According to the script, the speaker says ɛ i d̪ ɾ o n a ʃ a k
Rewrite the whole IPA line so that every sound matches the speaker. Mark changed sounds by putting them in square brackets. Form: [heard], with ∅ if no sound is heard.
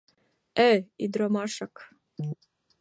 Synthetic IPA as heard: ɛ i d̪ ɾ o [m] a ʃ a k